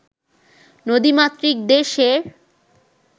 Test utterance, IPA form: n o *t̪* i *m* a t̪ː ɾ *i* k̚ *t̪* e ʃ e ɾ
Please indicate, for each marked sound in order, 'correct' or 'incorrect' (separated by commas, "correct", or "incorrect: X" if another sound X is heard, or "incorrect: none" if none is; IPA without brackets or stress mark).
incorrect: d̪, correct, correct, incorrect: d̪